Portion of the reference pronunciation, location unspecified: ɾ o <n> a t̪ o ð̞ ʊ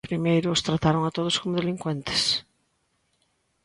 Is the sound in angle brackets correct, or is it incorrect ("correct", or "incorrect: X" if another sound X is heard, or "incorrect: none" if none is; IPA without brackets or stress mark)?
incorrect: ŋ